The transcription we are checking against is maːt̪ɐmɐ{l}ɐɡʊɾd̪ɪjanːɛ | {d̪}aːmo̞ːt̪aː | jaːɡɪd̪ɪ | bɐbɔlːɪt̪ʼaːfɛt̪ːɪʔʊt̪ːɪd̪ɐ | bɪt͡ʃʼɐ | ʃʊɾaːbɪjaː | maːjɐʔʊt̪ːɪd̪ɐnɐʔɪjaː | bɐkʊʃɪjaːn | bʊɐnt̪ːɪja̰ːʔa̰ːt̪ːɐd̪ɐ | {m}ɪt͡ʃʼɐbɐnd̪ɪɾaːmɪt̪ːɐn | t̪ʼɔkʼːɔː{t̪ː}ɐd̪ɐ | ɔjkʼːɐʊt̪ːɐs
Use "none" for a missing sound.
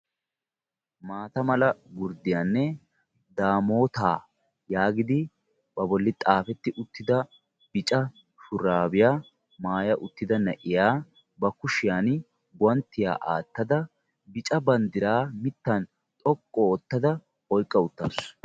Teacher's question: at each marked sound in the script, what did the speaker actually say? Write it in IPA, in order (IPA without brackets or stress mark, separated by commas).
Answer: l, d̪, b, t̪ː